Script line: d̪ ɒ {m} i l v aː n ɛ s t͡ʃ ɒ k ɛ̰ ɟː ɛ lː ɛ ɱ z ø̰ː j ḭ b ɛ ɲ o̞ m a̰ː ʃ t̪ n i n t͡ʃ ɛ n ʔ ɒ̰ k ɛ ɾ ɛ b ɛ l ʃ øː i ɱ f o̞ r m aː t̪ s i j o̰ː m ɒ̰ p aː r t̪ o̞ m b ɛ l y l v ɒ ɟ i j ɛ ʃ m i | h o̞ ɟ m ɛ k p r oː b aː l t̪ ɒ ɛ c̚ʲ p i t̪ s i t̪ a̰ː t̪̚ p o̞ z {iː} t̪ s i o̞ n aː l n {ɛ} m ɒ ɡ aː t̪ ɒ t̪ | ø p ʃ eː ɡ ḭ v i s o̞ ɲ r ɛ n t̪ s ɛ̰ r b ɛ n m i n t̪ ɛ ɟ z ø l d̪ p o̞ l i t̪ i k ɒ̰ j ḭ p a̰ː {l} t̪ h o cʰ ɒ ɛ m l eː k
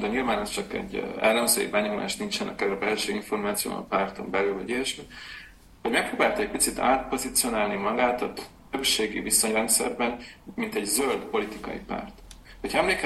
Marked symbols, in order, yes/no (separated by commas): no, no, no, no